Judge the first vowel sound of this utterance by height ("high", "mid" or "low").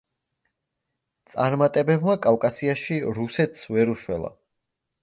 low